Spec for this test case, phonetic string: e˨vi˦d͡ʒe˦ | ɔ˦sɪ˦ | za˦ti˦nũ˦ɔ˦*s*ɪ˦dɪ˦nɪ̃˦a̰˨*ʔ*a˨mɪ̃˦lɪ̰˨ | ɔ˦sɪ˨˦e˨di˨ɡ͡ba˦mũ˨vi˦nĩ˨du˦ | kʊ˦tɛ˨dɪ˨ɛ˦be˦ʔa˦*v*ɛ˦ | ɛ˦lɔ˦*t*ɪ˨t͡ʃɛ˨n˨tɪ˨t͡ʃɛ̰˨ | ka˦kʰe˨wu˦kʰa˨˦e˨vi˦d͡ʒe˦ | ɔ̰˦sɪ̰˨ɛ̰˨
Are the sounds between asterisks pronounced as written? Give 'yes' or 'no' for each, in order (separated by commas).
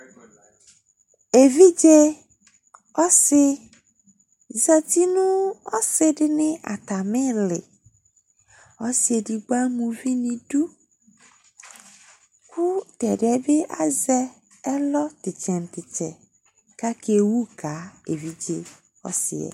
yes, no, no, yes